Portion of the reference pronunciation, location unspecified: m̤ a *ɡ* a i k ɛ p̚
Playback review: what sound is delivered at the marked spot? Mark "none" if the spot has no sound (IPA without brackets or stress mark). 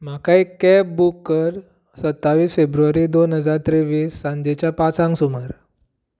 k